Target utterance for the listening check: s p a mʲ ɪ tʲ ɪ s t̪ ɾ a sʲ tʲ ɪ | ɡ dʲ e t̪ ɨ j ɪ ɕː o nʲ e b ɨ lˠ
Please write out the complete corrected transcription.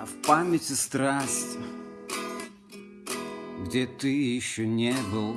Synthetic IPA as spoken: f p a mʲ ɪ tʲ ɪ s t̪ ɾ a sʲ tʲ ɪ | ɡ dʲ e t̪ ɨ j ɪ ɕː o nʲ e b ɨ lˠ